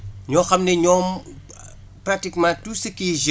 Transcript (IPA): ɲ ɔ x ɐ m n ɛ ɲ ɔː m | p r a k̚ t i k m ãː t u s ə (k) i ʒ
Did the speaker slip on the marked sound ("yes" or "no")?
no